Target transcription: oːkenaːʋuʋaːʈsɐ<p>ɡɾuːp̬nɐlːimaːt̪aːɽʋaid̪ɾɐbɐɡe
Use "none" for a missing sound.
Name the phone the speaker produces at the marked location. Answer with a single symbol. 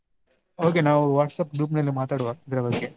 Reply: p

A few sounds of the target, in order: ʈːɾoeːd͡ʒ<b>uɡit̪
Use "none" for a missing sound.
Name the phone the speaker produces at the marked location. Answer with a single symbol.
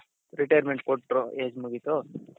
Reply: m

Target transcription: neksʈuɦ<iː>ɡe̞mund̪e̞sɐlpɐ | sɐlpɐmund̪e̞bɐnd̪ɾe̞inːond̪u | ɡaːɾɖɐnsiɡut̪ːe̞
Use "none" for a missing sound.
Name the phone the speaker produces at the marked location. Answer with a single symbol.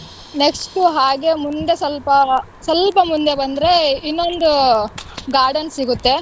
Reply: aː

